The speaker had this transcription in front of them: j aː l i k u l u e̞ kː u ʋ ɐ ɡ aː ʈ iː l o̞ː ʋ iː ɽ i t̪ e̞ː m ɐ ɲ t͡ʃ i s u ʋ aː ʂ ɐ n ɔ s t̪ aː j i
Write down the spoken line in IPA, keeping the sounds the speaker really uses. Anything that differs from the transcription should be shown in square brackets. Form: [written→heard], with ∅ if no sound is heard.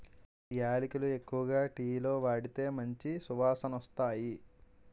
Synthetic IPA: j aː l i k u l u e̞ kː u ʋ ɐ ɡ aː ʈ iː l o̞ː ʋ [iː→aː] ɽ i t̪ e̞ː m ɐ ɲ t͡ʃ i s u ʋ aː [ʂ→s] ɐ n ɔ s t̪ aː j i